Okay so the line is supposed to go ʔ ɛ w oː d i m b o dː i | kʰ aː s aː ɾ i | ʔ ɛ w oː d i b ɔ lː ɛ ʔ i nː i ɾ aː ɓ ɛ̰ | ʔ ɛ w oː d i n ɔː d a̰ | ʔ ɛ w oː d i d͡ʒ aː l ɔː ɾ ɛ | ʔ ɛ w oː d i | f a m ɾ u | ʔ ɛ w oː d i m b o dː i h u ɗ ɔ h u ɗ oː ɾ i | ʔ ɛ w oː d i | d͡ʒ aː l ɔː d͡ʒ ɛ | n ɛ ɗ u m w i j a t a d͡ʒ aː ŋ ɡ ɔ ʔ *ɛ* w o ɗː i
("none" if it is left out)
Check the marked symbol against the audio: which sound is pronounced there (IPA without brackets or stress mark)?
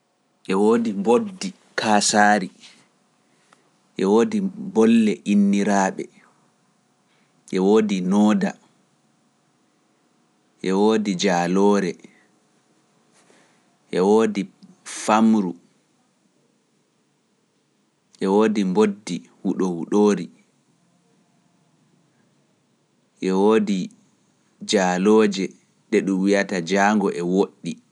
ɛ